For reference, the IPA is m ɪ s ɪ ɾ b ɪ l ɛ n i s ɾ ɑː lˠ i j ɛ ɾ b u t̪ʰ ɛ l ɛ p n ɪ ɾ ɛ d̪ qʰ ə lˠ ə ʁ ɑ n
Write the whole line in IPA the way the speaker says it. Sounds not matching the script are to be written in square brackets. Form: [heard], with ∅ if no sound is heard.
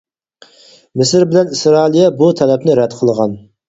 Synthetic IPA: m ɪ s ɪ ɾ b ɪ l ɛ n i s ɾ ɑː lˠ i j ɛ [∅] b u t̪ʰ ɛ l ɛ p n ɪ ɾ ɛ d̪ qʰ ə lˠ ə ʁ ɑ n